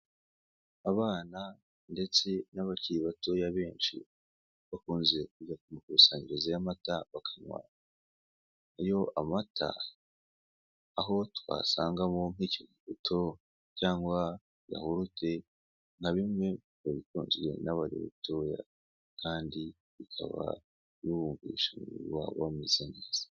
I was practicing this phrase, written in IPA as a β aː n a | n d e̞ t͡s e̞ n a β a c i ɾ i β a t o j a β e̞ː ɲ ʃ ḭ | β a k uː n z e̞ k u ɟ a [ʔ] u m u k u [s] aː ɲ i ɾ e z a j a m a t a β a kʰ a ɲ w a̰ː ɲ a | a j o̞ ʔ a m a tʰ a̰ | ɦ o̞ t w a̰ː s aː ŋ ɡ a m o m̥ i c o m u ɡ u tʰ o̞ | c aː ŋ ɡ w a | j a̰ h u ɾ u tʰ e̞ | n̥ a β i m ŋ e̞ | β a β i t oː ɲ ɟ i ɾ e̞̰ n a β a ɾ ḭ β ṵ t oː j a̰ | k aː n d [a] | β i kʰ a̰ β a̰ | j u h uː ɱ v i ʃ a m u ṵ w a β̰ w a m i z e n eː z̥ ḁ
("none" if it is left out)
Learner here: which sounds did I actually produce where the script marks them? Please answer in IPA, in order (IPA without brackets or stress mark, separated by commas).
k, s, i